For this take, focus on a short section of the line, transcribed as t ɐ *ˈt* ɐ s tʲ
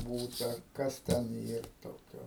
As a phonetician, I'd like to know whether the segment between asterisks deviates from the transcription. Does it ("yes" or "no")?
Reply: yes